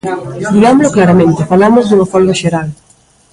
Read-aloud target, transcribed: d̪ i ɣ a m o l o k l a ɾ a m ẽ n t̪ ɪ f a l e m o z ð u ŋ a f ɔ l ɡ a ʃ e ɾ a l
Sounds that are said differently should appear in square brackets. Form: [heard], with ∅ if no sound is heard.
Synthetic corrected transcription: d̪ i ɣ a m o l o k l a ɾ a m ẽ n t̪ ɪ f a l [a] m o z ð u ŋ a f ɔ l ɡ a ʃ e ɾ a l